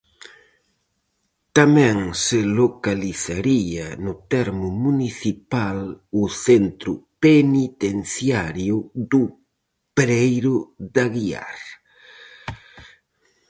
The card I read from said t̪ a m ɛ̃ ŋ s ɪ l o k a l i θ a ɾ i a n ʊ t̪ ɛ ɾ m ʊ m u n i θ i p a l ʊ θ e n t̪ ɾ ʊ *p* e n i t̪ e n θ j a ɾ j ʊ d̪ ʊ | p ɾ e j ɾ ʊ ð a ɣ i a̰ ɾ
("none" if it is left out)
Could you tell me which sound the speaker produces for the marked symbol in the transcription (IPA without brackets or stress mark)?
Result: p